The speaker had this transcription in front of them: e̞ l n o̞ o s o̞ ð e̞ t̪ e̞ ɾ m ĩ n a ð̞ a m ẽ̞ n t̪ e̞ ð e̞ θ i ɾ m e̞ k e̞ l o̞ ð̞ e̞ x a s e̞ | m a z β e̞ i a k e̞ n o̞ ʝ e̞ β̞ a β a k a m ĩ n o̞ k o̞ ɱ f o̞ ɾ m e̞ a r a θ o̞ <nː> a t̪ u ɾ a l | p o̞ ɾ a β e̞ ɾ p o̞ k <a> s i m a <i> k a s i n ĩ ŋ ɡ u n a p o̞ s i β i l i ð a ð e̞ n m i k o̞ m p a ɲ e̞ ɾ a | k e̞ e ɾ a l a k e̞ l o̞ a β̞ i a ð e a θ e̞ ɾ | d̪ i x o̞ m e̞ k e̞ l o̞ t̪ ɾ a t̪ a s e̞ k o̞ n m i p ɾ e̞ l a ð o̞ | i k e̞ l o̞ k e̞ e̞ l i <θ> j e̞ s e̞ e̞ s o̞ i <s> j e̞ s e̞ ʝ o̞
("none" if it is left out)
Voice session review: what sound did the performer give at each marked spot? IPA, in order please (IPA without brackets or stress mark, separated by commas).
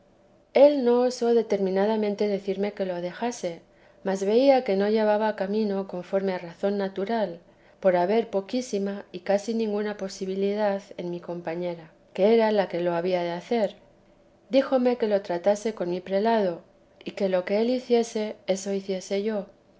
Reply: nː, i, i, θ, θ